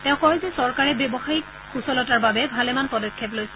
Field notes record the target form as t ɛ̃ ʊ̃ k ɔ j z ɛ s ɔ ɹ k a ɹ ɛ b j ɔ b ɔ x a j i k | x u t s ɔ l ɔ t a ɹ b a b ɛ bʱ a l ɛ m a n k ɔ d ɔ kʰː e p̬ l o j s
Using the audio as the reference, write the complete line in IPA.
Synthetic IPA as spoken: t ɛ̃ ʊ̃ k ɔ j z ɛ s ɔ ɹ k a ɹ ɛ b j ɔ b ɔ x a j i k | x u s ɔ l ɔ t a ɹ b a b ɛ bʱ a l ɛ m a n p ɔ d ɔ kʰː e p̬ l o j s

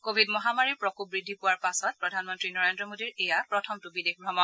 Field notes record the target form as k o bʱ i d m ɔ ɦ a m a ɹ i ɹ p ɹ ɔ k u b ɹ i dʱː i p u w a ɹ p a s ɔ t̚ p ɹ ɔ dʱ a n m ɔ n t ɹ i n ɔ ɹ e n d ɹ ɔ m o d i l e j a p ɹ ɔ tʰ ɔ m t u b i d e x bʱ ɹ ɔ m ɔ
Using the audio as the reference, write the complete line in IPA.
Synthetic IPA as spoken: k o bʱ i d m ɔ ɦ a m a ɹ i ɹ p ɹ ɔ k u b ɹ i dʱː i p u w a ɹ p a s ɔ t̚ p ɹ ɔ dʱ a n m ɔ n t ɹ i n ɔ ɹ e n d ɹ ɔ m o d i ɹ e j a p ɹ ɔ tʰ ɔ m t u b i d e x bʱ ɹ ɔ m ɔ

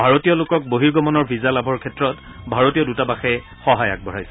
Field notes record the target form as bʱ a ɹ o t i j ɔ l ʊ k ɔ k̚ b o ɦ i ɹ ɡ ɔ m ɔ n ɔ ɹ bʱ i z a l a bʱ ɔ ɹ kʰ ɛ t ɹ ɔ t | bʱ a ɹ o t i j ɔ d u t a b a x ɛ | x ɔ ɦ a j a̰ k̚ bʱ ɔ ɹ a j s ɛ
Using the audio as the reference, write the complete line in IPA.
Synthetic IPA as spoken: bʱ a ɹ o t i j ɔ l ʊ k ɔ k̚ b o ɦ i ɹ ɡ ɔ m ɔ n ɔ ɹ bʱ i z a l a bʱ ɔ ɹ kʰ ɛ t ɹ ɔ t | bʱ a ɹ o t i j ɔ d u t a b a x ɛ | x ɔ ɦ a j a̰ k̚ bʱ ɔ ɹ a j s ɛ

